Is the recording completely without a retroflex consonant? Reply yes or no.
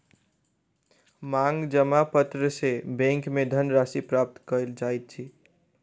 yes